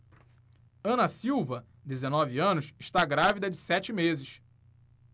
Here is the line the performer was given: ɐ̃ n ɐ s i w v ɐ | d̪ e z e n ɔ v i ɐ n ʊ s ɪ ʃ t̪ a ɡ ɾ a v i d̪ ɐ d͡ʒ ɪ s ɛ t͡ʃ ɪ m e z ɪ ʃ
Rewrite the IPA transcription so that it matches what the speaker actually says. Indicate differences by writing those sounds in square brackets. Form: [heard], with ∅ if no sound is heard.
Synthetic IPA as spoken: ɐ̃ n ɐ s i w v ɐ | d̪ e z e n ɔ v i [ɐ̃] n ʊ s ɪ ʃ t̪ a ɡ ɾ a v i d̪ ɐ d͡ʒ ɪ s ɛ t͡ʃ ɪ m e z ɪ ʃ